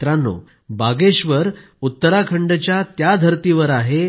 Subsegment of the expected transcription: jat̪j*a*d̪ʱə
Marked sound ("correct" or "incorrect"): correct